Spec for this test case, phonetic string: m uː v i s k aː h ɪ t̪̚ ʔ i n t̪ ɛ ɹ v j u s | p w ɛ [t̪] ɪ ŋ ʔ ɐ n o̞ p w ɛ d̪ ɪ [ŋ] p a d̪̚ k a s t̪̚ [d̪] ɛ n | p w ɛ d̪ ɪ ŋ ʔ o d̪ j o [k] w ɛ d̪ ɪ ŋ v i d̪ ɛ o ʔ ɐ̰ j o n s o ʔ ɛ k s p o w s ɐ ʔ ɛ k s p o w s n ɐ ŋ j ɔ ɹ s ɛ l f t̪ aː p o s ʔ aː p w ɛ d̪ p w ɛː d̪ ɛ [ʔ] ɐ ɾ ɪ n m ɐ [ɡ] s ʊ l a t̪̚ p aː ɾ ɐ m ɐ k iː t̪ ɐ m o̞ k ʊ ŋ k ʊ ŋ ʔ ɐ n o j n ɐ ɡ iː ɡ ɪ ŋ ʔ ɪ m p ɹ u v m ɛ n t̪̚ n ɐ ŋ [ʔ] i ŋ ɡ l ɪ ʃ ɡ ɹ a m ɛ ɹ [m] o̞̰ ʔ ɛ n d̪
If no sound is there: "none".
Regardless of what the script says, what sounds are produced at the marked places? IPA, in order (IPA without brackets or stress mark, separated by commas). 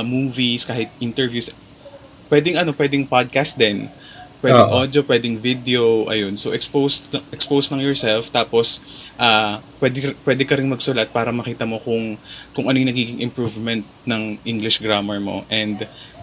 d̪, ŋ, d̪, p, k, ɡ, ʔ, m